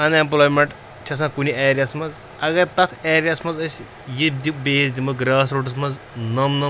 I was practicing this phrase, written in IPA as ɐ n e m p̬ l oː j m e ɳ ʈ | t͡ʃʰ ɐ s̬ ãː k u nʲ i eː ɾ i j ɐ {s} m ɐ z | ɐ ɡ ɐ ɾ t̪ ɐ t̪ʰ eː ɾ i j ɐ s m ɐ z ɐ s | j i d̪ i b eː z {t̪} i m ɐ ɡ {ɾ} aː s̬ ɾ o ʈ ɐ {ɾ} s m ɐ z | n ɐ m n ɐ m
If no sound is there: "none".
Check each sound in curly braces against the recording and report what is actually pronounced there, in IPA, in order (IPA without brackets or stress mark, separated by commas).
s, d̪, ɾ, none